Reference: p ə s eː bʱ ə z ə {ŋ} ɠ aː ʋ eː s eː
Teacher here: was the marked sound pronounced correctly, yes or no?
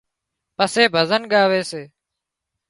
no